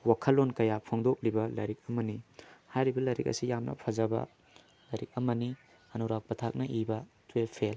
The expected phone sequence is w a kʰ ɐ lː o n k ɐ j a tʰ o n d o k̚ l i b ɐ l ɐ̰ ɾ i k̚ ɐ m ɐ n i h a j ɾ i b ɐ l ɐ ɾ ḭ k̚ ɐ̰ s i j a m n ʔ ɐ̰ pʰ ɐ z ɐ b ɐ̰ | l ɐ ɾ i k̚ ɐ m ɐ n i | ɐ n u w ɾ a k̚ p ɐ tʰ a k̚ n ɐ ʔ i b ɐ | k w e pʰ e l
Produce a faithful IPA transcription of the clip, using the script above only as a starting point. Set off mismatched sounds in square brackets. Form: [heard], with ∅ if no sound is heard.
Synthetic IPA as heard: w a kʰ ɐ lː o n k ɐ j a [pʰ] o [ŋ] d o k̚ l i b ɐ l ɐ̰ ɾ i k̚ ɐ m ɐ n i h a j ɾ i b ɐ l ɐ ɾ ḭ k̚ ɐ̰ s i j a m n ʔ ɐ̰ pʰ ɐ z ɐ b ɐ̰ | l ɐ ɾ i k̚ ɐ m ɐ n i | ɐ n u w ɾ a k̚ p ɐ tʰ a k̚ n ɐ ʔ i b ɐ | [t] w e pʰ e l